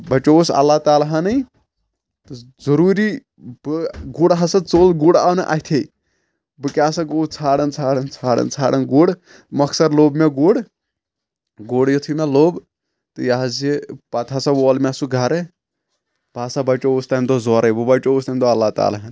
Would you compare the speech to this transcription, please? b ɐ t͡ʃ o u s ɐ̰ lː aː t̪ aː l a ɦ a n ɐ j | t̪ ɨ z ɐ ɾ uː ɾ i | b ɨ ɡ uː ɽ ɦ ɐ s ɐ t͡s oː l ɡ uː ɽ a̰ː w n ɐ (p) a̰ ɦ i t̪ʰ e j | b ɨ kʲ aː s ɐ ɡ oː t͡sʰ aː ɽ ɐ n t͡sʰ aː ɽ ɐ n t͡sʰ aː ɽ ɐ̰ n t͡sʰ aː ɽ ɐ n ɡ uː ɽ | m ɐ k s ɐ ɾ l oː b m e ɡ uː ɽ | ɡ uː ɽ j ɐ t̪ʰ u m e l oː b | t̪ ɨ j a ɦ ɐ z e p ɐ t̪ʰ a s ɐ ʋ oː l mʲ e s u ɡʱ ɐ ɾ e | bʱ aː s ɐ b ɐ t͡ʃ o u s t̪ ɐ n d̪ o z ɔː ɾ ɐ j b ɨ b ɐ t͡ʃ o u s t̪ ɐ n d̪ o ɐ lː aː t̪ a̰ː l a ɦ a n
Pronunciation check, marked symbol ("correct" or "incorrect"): incorrect